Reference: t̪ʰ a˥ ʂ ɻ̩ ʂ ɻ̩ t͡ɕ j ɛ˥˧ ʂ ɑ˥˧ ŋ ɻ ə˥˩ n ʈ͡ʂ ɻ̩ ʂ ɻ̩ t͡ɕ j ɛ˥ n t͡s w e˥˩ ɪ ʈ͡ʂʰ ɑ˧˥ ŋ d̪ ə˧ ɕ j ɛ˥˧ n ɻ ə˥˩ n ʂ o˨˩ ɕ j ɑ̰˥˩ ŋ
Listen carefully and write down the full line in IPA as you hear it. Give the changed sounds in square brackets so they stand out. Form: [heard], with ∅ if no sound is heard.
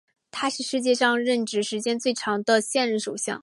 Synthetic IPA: t̪ʰ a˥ ʂ ɻ̩ ʂ ɻ̩ t͡ɕ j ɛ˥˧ ʂ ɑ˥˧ ŋ ɻ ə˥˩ n ʈ͡ʂ ɻ̩ ʂ ɻ̩ t͡ɕ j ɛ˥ n t͡s w e˥˩ ɪ ʈ͡ʂʰ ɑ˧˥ ŋ d̪ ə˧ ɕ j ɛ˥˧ n ɻ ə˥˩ n ʂ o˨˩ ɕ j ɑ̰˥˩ ŋ